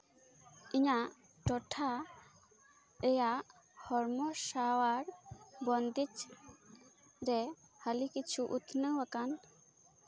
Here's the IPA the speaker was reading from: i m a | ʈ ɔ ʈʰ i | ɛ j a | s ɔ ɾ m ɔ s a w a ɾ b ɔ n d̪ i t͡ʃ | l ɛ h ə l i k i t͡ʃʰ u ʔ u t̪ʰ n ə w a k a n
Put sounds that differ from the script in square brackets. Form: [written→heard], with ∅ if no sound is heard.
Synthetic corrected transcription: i [m→ɲ] a | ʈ ɔ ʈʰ [i→a] | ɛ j a | [s→h] ɔ ɾ m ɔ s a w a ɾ b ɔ n d̪ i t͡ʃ | [l→ɾ] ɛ h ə l i k i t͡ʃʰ u ʔ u t̪ʰ n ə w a k a n